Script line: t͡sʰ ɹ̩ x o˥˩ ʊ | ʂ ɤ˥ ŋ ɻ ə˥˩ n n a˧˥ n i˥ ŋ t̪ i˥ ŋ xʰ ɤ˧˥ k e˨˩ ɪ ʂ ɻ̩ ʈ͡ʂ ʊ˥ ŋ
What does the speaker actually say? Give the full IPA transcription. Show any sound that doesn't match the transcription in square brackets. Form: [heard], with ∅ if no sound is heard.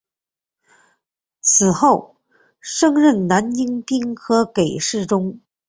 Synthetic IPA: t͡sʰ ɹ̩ x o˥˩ ʊ | ʂ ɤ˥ ŋ ɻ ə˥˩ n n a˧˥ n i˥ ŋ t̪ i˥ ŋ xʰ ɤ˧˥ k e˨˩ ɪ ʂ ɻ̩ ʈ͡ʂ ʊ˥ ŋ